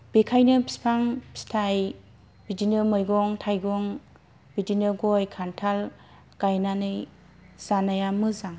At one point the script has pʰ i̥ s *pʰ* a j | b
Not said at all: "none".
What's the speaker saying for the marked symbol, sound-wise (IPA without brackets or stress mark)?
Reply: tʰ